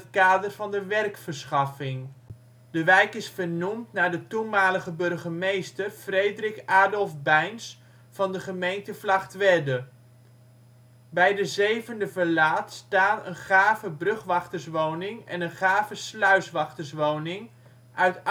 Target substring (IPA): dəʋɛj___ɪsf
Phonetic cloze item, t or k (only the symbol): k